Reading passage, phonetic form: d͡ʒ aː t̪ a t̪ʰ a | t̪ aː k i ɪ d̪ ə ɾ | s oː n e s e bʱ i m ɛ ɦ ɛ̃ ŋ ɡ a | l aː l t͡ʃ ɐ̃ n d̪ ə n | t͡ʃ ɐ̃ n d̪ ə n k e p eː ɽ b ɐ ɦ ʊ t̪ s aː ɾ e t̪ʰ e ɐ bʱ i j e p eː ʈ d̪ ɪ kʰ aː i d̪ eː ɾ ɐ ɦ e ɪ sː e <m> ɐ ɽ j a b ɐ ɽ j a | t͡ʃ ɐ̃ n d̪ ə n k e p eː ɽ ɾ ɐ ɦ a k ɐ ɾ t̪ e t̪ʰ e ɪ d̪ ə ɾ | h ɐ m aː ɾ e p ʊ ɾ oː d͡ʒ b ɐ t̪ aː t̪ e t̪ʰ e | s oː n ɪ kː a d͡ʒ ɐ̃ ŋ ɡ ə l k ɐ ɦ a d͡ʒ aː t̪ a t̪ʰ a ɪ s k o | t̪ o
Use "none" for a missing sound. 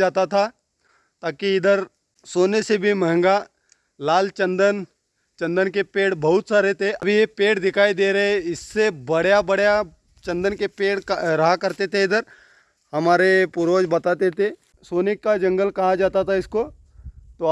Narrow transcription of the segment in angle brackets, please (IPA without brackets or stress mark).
b